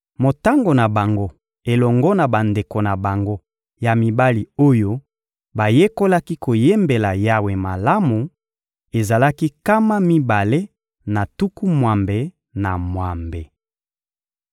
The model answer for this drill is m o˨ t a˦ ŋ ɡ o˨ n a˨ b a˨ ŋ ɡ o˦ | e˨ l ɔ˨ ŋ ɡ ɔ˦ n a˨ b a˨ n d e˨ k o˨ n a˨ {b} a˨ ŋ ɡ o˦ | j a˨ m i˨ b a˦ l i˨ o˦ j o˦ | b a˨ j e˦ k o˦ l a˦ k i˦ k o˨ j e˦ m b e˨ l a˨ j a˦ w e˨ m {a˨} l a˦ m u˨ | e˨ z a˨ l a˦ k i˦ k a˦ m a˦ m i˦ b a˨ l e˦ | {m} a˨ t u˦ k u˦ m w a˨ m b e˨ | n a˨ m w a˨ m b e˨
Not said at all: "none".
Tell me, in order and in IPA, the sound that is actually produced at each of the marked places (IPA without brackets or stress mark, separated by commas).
b, a˨, n